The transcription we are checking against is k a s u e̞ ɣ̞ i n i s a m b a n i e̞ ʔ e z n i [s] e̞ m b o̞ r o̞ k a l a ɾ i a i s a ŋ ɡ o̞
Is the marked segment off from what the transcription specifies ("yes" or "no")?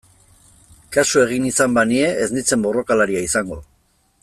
yes